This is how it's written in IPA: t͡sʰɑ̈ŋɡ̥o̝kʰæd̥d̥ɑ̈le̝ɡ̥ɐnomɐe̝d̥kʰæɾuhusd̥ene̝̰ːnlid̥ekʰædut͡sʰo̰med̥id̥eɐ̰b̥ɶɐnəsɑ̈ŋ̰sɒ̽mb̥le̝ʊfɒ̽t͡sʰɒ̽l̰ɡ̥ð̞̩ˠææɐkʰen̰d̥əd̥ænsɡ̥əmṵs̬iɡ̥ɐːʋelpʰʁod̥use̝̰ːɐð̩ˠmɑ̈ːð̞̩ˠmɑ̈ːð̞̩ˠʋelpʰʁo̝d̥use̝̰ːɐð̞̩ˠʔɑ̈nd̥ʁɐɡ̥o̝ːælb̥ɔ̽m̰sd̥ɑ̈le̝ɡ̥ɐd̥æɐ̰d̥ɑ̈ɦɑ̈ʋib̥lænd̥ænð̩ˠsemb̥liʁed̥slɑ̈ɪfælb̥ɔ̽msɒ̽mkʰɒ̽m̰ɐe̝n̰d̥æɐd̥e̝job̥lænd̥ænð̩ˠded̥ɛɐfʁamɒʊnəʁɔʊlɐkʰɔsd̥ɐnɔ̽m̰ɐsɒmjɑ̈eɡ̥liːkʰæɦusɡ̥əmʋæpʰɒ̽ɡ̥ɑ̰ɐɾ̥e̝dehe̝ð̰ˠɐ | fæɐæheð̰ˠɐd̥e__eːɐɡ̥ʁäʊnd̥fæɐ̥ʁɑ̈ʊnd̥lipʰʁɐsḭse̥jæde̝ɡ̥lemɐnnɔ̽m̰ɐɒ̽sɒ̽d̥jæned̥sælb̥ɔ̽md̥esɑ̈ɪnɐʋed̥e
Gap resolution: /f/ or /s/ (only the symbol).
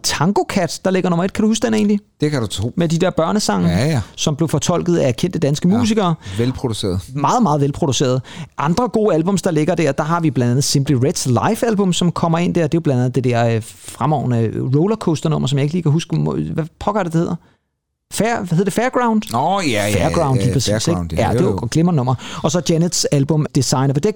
f